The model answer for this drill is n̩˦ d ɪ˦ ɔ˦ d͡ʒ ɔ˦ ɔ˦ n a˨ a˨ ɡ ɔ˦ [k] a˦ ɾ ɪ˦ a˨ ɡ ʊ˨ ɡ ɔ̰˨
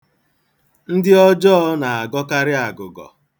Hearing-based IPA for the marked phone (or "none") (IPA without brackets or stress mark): k